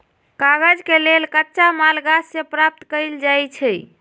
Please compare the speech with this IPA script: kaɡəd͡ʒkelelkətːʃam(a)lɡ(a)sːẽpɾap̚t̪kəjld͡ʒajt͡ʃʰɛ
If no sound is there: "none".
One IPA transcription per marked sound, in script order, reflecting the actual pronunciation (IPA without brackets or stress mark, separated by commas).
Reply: a, a